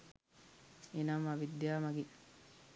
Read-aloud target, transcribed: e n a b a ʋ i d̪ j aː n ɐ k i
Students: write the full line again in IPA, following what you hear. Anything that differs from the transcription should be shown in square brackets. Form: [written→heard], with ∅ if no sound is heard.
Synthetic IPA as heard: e n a [b→m] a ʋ i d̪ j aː [n→m] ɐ [k→ɡ] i